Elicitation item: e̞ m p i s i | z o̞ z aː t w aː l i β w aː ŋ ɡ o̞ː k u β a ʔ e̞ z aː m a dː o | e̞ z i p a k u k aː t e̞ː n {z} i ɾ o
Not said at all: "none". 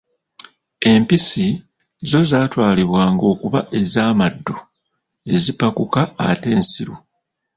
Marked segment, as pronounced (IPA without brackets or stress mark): s